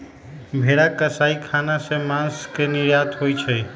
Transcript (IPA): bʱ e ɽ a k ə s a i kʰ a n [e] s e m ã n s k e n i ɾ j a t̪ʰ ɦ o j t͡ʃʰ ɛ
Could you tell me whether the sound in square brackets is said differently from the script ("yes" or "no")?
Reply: yes